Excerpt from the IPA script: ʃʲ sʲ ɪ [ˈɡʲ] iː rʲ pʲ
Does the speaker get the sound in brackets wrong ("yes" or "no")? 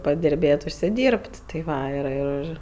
yes